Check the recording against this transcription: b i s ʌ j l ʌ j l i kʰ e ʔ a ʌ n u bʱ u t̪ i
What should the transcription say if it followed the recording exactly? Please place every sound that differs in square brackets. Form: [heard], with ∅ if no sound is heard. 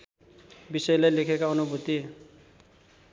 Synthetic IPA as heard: b i s ʌ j l [a] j l [e] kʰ e [k] a ʌ n u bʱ u t̪ i